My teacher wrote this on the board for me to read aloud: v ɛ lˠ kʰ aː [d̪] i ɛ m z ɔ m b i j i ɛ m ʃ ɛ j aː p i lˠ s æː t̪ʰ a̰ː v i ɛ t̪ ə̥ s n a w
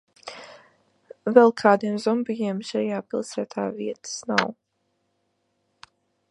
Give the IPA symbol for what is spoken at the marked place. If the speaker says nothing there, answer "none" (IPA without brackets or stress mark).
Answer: d̪